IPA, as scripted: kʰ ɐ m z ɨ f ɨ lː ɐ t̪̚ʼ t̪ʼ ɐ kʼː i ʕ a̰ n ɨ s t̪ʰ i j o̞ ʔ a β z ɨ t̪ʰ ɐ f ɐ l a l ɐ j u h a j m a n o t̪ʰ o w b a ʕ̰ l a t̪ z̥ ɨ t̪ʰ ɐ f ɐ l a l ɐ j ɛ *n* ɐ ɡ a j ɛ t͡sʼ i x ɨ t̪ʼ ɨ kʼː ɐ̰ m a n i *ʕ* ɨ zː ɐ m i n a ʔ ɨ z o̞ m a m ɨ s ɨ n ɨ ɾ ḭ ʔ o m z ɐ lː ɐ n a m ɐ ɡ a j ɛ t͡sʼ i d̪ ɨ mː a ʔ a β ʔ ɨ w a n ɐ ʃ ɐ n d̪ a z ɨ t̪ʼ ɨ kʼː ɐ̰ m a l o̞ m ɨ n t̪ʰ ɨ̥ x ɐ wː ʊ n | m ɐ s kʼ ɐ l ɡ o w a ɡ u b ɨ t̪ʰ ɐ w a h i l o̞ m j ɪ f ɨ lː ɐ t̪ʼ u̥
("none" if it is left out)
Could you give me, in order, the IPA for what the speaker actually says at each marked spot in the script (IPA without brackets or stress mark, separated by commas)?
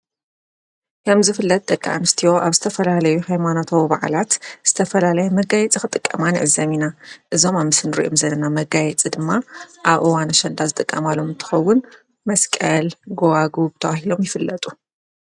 m, ʕ